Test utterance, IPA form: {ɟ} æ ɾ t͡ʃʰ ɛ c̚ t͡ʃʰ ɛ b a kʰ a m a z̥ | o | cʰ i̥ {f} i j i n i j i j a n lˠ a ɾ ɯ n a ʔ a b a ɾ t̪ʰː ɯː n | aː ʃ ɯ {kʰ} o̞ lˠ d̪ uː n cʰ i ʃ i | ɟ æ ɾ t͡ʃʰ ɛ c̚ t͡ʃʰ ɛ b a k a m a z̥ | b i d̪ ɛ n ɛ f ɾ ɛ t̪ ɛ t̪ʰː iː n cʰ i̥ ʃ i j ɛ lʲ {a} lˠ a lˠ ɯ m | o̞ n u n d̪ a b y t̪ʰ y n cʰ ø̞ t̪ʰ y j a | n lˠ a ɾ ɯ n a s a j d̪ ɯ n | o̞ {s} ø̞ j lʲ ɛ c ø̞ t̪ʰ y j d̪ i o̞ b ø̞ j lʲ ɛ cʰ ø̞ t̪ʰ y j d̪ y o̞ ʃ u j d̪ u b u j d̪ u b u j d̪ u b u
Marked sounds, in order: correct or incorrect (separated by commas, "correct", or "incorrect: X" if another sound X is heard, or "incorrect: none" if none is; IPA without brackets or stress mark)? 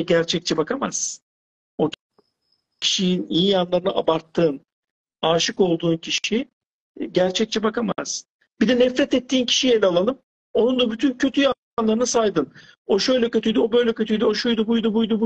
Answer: correct, incorrect: ʃ, incorrect: k, correct, incorrect: ʃ